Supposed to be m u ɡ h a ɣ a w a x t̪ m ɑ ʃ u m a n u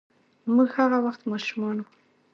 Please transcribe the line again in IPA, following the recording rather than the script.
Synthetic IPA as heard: m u ɡ h a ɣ a w a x t̪ m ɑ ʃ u m ɑ n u